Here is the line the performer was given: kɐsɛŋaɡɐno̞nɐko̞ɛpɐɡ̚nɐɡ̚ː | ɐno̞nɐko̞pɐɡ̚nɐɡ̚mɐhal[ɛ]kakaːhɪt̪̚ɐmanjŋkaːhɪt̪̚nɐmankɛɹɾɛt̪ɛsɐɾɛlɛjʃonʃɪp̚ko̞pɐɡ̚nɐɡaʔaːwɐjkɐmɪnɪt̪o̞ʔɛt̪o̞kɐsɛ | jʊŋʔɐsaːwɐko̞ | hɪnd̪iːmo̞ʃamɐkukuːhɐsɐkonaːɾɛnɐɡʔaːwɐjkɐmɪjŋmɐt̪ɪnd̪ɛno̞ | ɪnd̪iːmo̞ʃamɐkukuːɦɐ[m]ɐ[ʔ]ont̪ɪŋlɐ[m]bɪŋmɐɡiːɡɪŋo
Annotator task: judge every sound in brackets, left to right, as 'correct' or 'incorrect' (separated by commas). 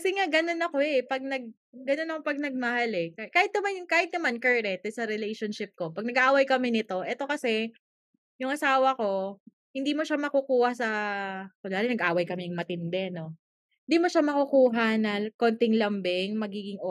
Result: correct, incorrect, incorrect, correct